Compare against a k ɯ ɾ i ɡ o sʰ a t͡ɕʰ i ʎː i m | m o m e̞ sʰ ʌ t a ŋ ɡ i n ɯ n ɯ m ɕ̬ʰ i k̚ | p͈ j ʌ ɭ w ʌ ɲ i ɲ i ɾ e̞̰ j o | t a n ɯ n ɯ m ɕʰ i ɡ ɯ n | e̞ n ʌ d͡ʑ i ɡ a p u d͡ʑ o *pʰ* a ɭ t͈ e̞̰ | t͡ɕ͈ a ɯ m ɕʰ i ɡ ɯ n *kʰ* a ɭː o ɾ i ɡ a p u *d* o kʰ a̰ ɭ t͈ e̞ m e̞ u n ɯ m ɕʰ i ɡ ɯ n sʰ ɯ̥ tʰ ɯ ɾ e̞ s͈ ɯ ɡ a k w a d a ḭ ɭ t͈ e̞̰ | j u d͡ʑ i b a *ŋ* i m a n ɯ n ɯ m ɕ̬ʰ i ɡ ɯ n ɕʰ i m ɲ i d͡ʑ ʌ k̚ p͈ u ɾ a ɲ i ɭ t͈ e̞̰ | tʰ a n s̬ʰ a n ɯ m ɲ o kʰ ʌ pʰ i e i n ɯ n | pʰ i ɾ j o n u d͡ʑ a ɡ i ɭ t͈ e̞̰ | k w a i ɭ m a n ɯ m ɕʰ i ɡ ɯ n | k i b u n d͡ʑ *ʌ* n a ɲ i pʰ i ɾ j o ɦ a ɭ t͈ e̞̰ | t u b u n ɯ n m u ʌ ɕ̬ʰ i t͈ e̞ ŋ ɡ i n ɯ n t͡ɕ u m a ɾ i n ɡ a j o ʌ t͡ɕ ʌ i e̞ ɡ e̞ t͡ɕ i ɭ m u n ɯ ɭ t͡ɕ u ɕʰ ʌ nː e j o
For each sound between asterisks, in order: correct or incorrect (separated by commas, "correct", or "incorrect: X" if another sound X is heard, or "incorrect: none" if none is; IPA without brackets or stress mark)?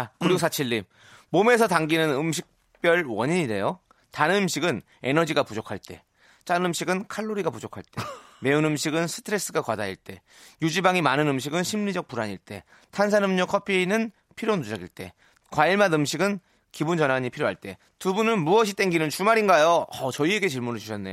incorrect: kʰ, correct, incorrect: d͡ʑ, correct, correct